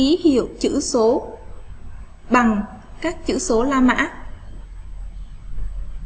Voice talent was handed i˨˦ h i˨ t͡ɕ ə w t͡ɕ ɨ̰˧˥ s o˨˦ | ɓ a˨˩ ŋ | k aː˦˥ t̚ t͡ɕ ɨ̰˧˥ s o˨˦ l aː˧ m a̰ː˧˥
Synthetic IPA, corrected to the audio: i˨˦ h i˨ ə w t͡ɕ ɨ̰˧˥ s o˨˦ | ɓ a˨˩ ŋ | k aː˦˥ k̚ t͡ɕ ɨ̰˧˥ s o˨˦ l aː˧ m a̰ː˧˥